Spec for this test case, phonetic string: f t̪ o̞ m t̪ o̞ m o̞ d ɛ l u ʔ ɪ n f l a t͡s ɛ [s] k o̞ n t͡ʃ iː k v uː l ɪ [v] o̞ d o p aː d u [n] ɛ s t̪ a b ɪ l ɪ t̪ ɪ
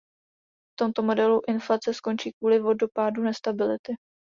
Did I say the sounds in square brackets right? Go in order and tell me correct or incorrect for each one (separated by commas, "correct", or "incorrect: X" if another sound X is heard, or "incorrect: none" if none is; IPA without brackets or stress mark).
correct, correct, correct